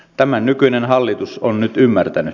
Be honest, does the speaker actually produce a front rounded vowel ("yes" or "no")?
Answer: yes